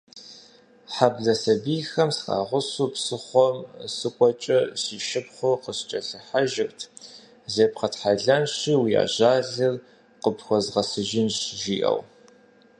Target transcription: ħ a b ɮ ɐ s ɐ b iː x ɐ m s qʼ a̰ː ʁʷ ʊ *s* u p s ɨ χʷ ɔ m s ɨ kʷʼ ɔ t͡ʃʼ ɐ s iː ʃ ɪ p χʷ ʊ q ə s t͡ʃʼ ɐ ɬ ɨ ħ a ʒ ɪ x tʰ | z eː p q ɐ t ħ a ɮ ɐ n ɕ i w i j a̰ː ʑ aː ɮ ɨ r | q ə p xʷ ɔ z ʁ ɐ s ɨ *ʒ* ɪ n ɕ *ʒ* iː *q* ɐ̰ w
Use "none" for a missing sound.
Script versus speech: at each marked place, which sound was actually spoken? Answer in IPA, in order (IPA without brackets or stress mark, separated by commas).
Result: s, ʒ, ʒ, ʔ